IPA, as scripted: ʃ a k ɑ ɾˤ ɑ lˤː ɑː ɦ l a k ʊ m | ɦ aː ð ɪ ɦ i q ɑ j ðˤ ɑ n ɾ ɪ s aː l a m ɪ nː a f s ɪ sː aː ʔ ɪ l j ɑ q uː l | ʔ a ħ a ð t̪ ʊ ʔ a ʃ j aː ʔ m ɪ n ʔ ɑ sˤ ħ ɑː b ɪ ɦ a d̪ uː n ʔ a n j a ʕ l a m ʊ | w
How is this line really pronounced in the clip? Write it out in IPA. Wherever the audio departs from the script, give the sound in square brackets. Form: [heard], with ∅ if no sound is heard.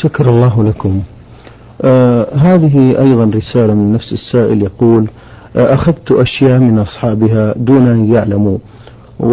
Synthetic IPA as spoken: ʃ a k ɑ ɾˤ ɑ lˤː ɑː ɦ l a k ʊ m | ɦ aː ð ɪ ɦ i [ʔ] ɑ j ðˤ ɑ n ɾ ɪ s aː l a m ɪ nː a f s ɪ sː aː ʔ ɪ l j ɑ q uː l | ʔ a [x] a ð t̪ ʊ ʔ a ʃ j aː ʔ m ɪ n ʔ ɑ sˤ ħ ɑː b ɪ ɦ a d̪ uː n ʔ a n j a ʕ l a m [u] | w